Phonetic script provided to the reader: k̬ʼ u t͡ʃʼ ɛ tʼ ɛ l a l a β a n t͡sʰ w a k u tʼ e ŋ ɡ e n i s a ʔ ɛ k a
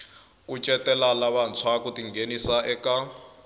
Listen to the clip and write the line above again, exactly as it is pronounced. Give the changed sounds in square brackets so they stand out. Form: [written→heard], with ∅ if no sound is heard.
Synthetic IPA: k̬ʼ u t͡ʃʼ ɛ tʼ ɛ l a l a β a n t͡sʰ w a k u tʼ [e→i] ŋ ɡ e n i s a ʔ ɛ k a